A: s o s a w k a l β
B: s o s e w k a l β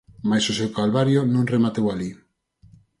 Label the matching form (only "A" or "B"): B